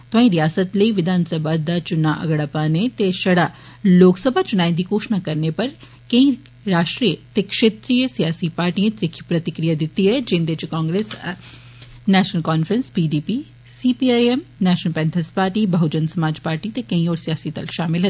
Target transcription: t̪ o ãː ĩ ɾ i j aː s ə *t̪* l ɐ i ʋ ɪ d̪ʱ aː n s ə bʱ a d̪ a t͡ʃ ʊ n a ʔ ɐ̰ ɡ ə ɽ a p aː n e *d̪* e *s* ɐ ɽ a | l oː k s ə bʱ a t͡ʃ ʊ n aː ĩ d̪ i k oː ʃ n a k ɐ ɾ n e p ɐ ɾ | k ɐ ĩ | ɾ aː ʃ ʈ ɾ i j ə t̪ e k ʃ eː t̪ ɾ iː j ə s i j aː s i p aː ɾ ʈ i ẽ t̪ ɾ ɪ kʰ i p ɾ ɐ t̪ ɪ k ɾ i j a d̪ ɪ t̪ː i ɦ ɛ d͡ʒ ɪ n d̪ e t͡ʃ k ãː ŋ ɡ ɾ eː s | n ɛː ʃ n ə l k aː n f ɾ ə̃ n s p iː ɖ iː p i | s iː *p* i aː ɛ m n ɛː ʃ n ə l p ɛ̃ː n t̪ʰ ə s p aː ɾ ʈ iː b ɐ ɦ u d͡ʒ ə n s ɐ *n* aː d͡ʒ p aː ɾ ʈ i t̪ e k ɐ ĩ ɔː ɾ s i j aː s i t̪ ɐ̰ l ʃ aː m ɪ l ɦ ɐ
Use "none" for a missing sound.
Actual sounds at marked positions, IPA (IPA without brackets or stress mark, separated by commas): t̪, t̪, ʃ, p, m